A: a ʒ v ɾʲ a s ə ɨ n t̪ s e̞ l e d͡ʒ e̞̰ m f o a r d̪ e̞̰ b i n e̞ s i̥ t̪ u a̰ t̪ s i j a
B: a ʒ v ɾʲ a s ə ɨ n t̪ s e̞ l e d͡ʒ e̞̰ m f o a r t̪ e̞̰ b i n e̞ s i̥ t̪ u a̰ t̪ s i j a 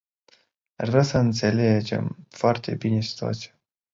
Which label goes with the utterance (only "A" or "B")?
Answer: B